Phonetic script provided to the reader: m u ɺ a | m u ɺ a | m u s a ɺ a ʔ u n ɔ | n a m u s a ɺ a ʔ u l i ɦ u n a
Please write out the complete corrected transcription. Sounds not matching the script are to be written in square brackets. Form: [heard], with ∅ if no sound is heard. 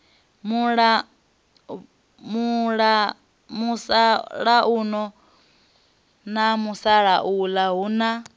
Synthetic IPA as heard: m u ɺ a | m u ɺ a | m u s a ɺ a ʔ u n ɔ | n a m u s a ɺ a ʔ u l [a] ɦ u n a

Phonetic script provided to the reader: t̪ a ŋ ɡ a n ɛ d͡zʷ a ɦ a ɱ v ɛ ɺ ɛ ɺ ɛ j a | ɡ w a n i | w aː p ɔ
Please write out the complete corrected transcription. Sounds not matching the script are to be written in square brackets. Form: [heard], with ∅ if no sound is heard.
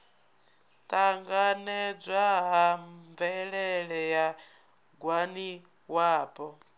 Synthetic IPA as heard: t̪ a ŋ ɡ a n ɛ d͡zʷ a ɦ a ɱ v ɛ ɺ ɛ ɺ ɛ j a | ɡ w a n i | w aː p ɔ

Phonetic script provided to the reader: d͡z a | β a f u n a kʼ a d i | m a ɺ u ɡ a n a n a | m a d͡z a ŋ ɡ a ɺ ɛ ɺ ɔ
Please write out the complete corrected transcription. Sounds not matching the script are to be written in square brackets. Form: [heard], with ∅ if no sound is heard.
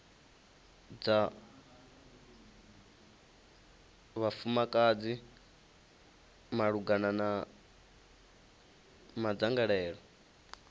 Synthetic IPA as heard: d͡z a | β a f u [m] a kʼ a [d͡z] i | m a ɺ u ɡ a n a n a | m a d͡z a ŋ ɡ a ɺ [ɛː] ɺ ɔ

